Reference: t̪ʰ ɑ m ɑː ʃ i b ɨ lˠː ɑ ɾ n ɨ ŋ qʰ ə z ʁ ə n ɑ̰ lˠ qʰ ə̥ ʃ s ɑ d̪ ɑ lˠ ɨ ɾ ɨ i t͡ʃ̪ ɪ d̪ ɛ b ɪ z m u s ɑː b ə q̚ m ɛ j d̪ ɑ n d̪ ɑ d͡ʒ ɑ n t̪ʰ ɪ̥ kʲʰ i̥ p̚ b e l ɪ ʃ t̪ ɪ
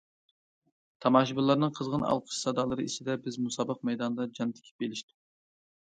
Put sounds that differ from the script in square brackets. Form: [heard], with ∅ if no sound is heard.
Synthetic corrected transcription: t̪ʰ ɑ m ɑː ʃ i b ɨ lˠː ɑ ɾ n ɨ ŋ qʰ ə z ʁ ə n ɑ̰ lˠ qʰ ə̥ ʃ s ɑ d̪ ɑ lˠ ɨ ɾ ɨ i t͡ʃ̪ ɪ d̪ ɛ b ɪ z m u s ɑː b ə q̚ m ɛ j d̪ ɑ n d̪ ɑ d͡ʒ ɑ n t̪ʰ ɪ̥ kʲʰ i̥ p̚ b e l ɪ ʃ t̪ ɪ